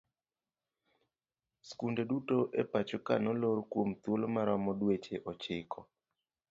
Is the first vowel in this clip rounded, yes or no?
yes